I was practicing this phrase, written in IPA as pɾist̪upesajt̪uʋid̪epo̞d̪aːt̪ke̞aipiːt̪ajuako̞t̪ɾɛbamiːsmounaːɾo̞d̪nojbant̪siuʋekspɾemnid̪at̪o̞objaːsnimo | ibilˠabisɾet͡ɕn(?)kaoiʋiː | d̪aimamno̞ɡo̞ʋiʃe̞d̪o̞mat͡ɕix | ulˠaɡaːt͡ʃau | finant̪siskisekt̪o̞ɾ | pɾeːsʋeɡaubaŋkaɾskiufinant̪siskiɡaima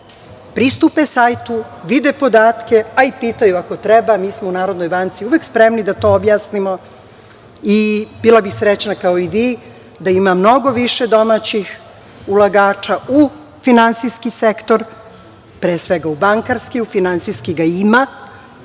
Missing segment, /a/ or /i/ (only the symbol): a